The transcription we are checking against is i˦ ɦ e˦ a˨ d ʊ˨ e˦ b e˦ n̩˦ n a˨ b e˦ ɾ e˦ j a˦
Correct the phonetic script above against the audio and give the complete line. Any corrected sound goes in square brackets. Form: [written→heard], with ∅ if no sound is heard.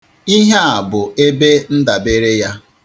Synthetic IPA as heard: i˦ ɦ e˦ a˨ [d→b] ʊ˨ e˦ b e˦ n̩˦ [n→d] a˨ b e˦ ɾ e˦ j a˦